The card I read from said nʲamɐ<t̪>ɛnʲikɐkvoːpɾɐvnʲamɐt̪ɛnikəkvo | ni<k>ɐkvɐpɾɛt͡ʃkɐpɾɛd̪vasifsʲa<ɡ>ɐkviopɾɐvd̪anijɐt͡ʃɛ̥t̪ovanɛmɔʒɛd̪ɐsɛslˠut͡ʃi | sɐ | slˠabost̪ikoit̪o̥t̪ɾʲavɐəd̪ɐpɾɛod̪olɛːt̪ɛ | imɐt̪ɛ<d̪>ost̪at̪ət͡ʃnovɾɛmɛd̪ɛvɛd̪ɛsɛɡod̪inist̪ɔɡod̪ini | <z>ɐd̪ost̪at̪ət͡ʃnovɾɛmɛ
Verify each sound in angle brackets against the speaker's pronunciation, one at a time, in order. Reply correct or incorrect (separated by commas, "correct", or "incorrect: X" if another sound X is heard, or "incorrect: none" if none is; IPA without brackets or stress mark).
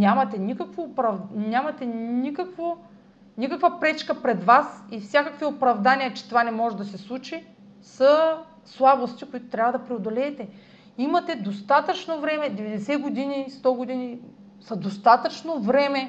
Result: correct, correct, incorrect: k, correct, incorrect: s